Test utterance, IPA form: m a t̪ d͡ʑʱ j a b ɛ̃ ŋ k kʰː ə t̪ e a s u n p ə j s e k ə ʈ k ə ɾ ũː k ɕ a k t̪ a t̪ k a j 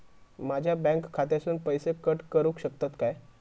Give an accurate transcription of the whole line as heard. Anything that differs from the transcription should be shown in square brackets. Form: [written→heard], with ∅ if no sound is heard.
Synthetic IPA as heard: m a [t̪→∅] d͡ʑʱ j a b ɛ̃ ŋ k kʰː [ə→a] t̪ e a s [u→uː] n p ə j s e k ə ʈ k ə ɾ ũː k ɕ [a→ə] k t̪ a t̪ k a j

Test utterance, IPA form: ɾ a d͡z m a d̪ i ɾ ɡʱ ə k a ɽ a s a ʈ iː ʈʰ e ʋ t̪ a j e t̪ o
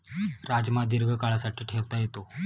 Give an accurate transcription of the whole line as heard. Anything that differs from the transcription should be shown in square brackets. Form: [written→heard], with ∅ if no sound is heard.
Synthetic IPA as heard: ɾ a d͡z m a d̪ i ɾ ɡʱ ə k a [ɽ→ɭ] a s a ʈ iː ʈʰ e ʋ t̪ a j e t̪ o

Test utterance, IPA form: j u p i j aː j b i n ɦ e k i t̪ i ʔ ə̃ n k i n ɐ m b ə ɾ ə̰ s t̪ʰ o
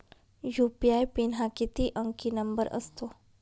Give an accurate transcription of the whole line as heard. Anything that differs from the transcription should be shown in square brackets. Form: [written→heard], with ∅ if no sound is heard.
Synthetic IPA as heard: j u p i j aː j [b→p] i n ɦ [e→a] k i t̪ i ʔ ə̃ [n→ŋ] k i n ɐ m b ə ɾ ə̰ s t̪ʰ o

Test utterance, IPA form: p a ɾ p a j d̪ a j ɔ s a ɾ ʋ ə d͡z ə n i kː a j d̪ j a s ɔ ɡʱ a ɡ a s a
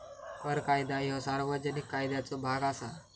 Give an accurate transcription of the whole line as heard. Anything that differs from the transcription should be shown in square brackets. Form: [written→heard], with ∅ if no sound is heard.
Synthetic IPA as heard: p [a→ə] ɾ [p→k] a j d̪ a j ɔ s a ɾ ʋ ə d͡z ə n i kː a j d̪ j a [s→t͡s] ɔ [ɡʱ→bʱ] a ɡ a s a

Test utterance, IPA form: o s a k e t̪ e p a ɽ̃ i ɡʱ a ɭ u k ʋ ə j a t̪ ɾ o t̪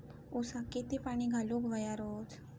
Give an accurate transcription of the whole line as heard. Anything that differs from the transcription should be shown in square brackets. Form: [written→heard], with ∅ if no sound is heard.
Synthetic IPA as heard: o s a k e t̪ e p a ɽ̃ i ɡʱ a [ɭ→l] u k ʋ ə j a [t̪→∅] ɾ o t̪

